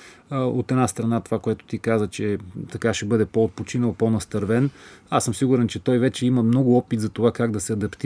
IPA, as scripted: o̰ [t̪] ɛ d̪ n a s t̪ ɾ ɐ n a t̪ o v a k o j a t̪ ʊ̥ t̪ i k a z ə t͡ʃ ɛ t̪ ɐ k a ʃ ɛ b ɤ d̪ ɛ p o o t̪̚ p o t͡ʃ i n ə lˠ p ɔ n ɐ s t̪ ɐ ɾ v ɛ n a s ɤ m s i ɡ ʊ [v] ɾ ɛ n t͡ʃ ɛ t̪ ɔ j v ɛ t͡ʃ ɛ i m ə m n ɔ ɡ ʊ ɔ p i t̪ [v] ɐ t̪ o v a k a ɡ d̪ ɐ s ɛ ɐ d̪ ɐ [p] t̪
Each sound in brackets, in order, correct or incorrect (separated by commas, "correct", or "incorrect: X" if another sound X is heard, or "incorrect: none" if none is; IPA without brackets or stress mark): correct, incorrect: none, incorrect: z, correct